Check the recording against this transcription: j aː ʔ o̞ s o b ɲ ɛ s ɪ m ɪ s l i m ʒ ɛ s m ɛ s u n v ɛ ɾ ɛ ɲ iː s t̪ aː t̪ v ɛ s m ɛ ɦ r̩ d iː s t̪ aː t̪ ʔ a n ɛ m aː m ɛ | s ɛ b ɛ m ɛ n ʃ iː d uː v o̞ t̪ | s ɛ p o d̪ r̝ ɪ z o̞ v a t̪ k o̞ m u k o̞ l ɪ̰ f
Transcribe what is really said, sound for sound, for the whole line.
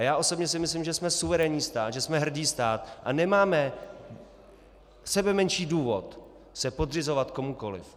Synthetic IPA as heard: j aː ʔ o̞ s o b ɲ ɛ s ɪ m ɪ s l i m ʒ ɛ s m ɛ s u v ɛ ɾ ɛ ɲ iː s t̪ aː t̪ ʒ ɛ s m ɛ ɦ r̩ d iː s t̪ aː t̪ ʔ a n ɛ m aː m ɛ | s ɛ b ɛ m ɛ n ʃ iː d uː v o̞ t̪ | s ɛ p o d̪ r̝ ɪ z o̞ v a t̪ k o̞ m u k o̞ l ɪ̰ f

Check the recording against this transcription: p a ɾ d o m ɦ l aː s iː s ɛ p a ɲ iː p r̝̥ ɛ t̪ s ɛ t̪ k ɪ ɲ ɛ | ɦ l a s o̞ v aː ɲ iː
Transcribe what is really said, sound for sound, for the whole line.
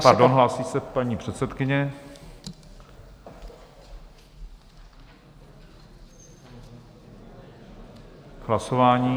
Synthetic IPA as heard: p a ɾ d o n ɦ l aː s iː s ɛ p a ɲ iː p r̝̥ ɛ t̪ s ɛ t̪ k ɪ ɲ ɛ | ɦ l a s o̞ v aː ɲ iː

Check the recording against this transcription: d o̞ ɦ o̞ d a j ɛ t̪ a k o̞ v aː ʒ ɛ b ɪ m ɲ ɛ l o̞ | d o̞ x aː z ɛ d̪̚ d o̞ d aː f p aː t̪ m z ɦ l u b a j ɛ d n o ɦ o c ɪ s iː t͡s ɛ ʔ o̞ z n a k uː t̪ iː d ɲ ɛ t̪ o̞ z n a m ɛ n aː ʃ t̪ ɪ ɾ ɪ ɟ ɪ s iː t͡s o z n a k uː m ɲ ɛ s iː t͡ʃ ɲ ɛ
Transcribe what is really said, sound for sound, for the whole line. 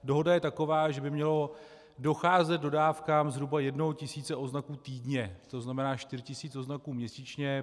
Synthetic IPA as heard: d o̞ ɦ o̞ d a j ɛ t̪ a k o̞ v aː ʒ ɛ b ɪ m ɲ ɛ l o̞ | d o̞ x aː z ɛ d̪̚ d o̞ d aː f k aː m z ɦ ɾ u b a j ɛ d n o ɦ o c ɪ s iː t͡s ɛ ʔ o̞ z n a k uː t̪ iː d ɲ ɛ t̪ o̞ z n a m ɛ n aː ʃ t̪ ɪ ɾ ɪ c ɪ s iː t͡s o z n a k uː m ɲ ɛ s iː t͡ʃ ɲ ɛ

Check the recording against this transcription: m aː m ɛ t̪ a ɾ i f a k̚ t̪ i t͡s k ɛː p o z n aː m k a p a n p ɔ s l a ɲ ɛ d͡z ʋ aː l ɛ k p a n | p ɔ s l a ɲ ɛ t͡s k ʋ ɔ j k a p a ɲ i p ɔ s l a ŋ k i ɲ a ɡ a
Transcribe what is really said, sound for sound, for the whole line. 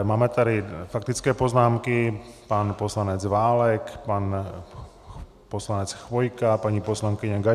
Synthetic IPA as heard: m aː m ɛ t̪ a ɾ i f a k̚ t̪ i t͡s k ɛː p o z n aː m k i p a n p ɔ s l a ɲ ɛ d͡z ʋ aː l ɛ k p a n | p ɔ s l a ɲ ɛ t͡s x ʋ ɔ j k a p a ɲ i p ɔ s l a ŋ k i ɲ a ɡ a

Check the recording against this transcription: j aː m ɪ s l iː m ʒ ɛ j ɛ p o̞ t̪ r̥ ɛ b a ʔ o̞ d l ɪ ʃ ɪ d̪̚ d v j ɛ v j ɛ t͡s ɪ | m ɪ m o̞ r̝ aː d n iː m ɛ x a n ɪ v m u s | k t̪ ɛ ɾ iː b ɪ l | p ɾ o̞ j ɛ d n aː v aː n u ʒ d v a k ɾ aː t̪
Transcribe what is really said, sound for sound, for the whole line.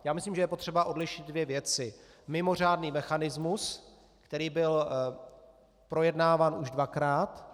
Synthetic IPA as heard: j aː m ɪ s l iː m ʒ ɛ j ɛ p o̞ t̪ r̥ ɛ b a ʔ o̞ d l ɪ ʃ ɪ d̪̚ d v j ɛ v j ɛ t͡s ɪ | m ɪ m o̞ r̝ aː d n iː m ɛ x a n ɪ z m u s | k t̪ ɛ ɾ iː b ɪ l | p ɾ o̞ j ɛ d n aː v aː n u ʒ d v a k ɾ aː t̪

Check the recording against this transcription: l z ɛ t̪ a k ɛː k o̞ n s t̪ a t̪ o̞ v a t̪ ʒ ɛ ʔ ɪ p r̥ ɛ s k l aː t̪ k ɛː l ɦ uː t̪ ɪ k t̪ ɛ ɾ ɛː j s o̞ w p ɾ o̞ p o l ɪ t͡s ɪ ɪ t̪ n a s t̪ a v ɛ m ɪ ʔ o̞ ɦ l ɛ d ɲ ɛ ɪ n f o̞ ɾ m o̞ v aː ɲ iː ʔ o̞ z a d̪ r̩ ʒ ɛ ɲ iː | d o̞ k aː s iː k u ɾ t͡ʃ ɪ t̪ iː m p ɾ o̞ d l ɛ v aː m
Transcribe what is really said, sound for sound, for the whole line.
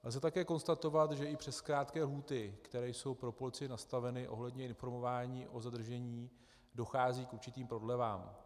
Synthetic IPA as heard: l z ɛ t̪ a k ɛː k o̞ n s t̪ a t̪ o̞ v a t̪ ʒ ɛ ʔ ɪ p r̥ ɛ s k ɾ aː t̪ k ɛː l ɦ uː t̪ ɪ k t̪ ɛ ɾ ɛː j s o̞ w p ɾ o̞ p o l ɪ t͡s ɪ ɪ n a s t̪ a v ɛ n ɪ ʔ o̞ ɦ l ɛ d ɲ ɛ ɪ n f o̞ ɾ m o̞ v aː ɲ iː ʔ o̞ z a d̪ r̩ ʒ ɛ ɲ iː | d o̞ x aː z iː k u ɾ t͡ʃ ɪ t̪ iː m p ɾ o̞ d l ɛ v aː m

